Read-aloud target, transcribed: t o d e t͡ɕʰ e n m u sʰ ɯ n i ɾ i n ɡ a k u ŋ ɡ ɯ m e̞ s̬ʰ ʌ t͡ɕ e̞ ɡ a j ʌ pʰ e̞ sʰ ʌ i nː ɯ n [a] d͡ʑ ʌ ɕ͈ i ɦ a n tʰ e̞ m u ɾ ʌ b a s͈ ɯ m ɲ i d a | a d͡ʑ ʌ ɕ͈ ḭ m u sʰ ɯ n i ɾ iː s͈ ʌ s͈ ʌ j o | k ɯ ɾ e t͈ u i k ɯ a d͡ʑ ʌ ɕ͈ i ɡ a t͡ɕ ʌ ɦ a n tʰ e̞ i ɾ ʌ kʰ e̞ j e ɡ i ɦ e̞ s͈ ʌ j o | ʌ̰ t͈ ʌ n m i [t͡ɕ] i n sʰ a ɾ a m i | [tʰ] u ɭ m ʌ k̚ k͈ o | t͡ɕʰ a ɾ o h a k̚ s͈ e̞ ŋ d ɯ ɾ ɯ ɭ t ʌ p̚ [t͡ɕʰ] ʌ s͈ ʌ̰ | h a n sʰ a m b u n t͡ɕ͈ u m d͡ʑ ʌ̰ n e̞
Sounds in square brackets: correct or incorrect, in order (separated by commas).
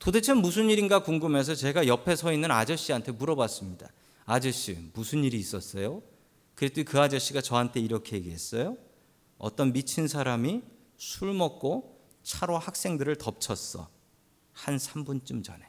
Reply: correct, incorrect, incorrect, correct